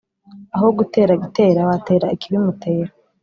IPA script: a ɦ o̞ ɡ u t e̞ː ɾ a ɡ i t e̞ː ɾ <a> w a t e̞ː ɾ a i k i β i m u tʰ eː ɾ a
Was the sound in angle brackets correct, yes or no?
yes